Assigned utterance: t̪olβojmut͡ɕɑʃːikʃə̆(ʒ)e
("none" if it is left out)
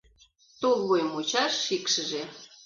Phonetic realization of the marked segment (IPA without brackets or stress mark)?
ʒ